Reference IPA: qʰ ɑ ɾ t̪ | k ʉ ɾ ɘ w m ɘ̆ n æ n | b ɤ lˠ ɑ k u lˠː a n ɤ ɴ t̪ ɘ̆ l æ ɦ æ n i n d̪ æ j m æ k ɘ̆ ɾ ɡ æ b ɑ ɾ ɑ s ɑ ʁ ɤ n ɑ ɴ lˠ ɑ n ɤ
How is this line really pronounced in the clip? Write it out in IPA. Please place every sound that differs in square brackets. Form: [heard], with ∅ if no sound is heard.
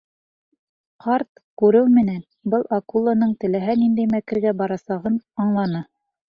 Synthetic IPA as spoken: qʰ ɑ ɾ t̪ | k ʉ ɾ ɘ w m ɘ̆ n æ n | b ɤ lˠ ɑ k u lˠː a n ɤ ɴ t̪ ɘ̆ l æ ɦ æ n i n d̪ æ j m æ k ɘ̆ ɾ ɡ æ b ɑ ɾ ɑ s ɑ ʁ ɤ n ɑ ɴ lˠ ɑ n ɤ